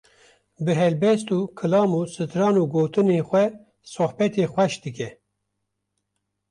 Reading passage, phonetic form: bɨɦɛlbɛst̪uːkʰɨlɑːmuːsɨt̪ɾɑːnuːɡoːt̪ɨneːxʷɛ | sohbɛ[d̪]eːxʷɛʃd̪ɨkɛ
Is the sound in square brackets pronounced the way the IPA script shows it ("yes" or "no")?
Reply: no